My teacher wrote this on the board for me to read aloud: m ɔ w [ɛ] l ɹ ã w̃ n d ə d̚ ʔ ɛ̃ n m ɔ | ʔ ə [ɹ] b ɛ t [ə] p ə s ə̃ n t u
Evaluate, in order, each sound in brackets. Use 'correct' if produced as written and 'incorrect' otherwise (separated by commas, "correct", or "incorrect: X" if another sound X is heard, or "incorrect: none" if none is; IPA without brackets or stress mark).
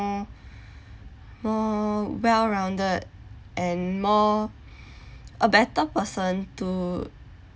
correct, incorrect: none, correct